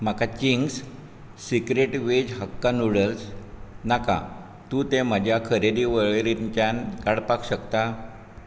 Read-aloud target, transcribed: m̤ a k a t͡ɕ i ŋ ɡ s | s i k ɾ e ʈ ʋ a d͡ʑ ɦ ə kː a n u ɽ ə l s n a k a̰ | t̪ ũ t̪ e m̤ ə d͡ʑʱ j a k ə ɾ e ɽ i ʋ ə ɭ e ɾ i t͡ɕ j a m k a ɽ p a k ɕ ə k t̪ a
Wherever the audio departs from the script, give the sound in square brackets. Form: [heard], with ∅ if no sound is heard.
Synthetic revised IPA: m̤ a k a t͡ɕ i ŋ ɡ s | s i k ɾ e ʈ ʋ [e] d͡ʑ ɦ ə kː a n u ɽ ə l s n a k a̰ | t̪ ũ t̪ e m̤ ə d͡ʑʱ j a [kʰ] ə ɾ e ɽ i ʋ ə ɭ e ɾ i t͡ɕ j a [n] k a ɽ p a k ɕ ə k t̪ a